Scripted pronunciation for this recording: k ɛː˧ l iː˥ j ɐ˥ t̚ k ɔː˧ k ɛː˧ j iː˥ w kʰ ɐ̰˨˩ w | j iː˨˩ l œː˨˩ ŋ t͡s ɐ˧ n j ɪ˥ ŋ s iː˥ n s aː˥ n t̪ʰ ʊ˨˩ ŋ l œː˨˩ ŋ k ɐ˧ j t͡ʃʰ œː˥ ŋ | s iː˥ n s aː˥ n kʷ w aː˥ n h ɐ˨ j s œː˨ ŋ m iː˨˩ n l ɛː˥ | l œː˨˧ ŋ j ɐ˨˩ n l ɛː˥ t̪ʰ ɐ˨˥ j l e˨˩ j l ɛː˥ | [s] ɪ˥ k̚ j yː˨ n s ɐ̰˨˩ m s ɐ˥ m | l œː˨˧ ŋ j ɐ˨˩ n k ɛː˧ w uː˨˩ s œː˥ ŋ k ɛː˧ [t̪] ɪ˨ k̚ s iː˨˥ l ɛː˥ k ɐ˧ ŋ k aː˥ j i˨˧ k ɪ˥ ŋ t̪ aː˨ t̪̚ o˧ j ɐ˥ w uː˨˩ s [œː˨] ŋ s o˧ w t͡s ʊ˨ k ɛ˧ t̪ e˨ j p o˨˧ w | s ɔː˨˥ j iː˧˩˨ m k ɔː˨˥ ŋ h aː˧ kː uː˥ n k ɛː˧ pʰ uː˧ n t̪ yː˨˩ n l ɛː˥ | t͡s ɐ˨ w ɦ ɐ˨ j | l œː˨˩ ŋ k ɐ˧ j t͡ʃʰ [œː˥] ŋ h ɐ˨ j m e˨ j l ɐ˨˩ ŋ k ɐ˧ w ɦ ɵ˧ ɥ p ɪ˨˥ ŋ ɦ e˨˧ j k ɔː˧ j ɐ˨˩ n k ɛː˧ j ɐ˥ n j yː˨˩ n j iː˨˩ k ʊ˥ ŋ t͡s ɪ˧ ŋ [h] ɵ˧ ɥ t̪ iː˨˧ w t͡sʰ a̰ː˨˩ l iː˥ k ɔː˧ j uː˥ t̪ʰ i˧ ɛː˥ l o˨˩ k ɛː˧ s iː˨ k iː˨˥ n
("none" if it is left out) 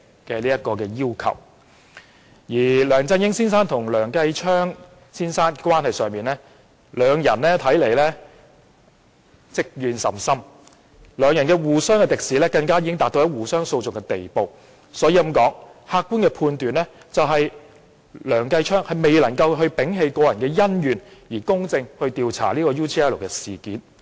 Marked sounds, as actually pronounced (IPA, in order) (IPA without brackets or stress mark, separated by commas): t͡s, t̪, œː˥, œː˥, h